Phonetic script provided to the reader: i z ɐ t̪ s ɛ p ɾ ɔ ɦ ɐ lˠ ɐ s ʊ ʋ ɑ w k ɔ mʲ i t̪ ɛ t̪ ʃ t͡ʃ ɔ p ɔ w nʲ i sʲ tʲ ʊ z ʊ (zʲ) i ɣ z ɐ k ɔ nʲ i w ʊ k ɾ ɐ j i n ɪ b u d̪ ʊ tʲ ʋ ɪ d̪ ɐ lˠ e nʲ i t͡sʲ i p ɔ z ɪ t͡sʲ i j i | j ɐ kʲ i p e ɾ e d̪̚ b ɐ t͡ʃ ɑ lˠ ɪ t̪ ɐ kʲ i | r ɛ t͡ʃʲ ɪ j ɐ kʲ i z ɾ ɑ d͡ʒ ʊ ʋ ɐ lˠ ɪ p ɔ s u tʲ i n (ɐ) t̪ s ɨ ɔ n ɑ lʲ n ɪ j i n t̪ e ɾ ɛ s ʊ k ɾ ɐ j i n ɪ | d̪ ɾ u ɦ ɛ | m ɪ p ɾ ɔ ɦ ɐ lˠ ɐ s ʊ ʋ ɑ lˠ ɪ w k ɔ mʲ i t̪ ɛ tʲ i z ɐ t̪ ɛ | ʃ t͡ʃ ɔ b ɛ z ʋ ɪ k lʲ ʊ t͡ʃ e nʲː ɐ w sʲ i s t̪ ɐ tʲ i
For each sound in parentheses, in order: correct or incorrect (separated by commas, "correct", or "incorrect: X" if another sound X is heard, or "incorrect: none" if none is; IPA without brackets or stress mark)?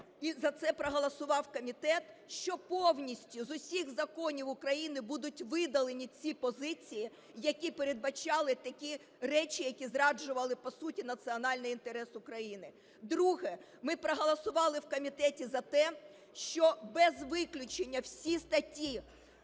incorrect: sʲ, correct